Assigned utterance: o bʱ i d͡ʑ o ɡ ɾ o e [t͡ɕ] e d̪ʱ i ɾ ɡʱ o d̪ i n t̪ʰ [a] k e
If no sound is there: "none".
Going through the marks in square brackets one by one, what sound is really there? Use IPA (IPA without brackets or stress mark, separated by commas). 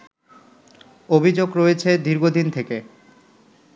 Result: t͡ɕʰ, e